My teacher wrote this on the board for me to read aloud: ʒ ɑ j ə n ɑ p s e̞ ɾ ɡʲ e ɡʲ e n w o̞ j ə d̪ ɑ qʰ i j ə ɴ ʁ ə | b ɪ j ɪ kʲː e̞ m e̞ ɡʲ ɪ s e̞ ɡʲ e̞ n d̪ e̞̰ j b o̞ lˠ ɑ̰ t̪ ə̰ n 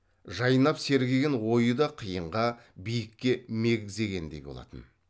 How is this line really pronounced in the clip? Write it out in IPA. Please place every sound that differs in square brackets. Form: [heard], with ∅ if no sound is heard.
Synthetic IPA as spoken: ʒ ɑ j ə n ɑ p s e̞ ɾ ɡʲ e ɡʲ e n w o̞ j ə d̪ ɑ qʰ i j ə ɴ ʁ [ɑ] | b [i] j ɪ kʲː e̞ m e̞ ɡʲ ɪ [z] e̞ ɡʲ e̞ n d̪ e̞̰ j b o̞ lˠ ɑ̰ t̪ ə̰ n